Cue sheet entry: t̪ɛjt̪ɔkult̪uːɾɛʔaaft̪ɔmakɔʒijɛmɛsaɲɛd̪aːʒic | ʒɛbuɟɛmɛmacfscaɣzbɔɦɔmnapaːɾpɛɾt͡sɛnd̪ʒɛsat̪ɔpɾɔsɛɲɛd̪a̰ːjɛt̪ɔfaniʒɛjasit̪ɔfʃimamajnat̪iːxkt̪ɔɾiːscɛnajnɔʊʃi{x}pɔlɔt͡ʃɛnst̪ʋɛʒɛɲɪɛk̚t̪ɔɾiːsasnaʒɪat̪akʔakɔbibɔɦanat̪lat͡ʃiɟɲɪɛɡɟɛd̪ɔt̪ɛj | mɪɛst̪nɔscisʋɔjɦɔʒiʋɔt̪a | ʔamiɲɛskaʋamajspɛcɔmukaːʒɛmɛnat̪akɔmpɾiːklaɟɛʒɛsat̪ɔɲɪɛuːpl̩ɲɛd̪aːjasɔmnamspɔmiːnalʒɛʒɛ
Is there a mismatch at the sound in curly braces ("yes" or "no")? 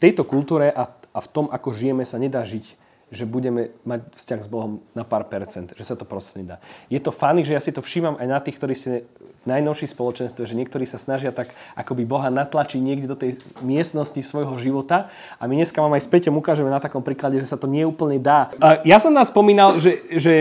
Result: yes